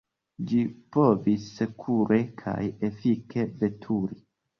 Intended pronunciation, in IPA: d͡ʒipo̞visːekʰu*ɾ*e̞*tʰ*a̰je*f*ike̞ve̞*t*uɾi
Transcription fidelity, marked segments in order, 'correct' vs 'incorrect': correct, incorrect: kʰ, correct, incorrect: tʰ

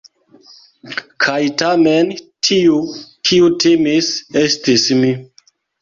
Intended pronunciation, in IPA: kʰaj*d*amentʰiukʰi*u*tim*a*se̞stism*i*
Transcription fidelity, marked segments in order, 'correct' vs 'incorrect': incorrect: t, correct, incorrect: i, correct

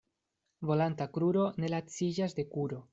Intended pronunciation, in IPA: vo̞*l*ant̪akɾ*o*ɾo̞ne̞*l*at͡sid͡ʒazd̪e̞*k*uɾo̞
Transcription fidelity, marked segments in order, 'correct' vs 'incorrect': correct, incorrect: u, correct, correct

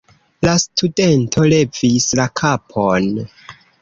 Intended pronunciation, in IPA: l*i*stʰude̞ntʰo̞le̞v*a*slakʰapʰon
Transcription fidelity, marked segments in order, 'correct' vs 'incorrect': incorrect: a, incorrect: i

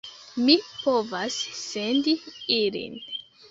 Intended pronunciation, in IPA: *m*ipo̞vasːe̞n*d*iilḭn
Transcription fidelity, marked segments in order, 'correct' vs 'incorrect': correct, correct

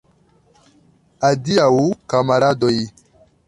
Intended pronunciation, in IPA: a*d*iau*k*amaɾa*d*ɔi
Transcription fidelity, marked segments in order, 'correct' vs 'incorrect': correct, correct, correct

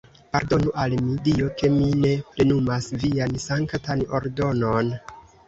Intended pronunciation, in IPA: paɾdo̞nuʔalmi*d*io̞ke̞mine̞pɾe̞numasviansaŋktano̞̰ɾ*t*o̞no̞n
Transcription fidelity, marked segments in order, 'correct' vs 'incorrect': correct, incorrect: d

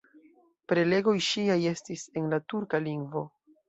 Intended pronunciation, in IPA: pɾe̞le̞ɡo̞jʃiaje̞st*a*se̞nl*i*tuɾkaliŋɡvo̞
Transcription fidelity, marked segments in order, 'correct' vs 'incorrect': incorrect: i, incorrect: a

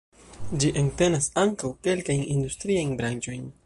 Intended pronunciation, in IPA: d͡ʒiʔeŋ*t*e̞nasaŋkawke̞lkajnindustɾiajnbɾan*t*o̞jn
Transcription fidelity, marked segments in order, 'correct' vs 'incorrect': correct, incorrect: t͡ʃ

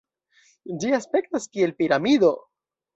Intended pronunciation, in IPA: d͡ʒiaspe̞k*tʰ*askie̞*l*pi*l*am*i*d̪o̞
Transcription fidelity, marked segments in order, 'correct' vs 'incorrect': incorrect: t, correct, incorrect: ɾ, correct

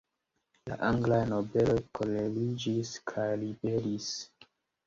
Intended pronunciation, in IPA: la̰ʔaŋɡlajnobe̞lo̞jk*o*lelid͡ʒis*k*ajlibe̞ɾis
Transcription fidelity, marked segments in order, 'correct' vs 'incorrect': correct, incorrect: kʰ

